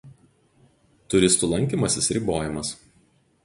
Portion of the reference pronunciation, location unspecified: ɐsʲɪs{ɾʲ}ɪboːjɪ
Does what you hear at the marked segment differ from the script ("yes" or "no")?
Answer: no